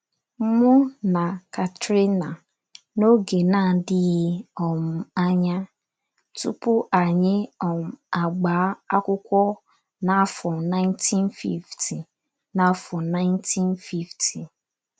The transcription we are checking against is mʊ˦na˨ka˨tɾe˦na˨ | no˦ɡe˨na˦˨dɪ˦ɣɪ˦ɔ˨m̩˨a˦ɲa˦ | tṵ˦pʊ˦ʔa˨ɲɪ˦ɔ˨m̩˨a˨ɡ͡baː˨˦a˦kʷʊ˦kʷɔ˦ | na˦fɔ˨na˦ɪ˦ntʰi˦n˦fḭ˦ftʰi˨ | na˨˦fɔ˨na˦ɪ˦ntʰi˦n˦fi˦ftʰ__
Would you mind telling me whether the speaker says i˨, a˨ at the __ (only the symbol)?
i˨